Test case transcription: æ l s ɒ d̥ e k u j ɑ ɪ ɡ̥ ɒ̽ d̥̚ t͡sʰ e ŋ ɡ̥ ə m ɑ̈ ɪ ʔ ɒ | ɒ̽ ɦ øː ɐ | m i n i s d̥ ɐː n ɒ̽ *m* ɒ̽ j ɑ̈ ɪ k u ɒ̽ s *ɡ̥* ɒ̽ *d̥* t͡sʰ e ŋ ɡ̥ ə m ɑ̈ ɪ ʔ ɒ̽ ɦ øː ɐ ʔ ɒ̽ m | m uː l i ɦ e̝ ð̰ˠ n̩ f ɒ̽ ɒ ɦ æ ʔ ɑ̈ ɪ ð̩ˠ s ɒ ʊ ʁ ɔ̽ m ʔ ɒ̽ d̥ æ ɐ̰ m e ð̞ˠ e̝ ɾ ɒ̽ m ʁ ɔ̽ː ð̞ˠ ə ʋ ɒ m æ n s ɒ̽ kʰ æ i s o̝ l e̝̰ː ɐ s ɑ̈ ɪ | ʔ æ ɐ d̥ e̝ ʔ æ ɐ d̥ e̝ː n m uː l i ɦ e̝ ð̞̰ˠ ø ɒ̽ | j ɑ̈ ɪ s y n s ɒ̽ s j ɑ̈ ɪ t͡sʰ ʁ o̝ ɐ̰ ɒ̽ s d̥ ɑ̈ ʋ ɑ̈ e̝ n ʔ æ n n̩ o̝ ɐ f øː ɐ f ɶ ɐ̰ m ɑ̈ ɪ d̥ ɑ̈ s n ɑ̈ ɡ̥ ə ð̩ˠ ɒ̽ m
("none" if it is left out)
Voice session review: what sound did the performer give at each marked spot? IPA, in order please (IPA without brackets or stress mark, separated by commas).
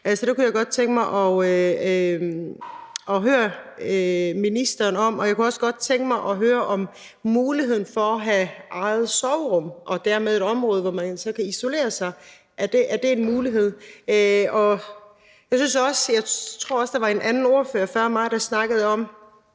m, ɡ̥, d̥